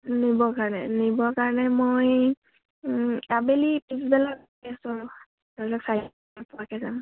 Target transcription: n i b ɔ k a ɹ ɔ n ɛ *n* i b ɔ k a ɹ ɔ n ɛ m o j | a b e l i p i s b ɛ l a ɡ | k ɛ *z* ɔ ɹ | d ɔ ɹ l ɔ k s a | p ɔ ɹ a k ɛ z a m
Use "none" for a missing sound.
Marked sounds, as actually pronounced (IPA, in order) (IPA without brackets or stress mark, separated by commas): n, s